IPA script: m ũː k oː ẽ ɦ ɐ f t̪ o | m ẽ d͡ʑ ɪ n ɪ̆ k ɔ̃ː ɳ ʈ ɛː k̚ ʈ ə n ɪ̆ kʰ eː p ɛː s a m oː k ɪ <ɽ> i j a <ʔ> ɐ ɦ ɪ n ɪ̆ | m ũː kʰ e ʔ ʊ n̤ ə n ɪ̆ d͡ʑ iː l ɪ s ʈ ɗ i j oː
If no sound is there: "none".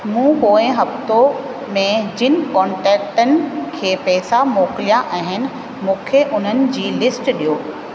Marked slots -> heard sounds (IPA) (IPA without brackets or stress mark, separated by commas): l, ʔ